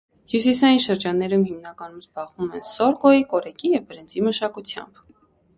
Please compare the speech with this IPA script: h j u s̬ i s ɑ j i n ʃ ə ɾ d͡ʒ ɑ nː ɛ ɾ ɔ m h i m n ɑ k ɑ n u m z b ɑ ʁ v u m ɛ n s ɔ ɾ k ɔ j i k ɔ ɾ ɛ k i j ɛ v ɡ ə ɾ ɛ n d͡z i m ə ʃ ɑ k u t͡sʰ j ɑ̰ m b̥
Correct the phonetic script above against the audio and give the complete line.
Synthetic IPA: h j u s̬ i s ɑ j i n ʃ ə ɾ d͡ʒ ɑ nː ɛ ɾ u m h i m n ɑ k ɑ n u m z b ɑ ʁ v u m ɛ n s ɔ ɾ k ɔ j i k ɔ ɾ ɛ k i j ɛ v b ə ɾ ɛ n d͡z i m ə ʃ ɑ k u t͡sʰ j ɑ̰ m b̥